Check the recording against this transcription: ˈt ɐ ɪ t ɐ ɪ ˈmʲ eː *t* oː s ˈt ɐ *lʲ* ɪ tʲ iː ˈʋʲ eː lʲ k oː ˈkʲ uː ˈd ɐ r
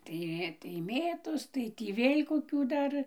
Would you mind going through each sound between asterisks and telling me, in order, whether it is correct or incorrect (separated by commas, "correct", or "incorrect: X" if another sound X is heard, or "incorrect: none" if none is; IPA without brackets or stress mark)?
correct, incorrect: none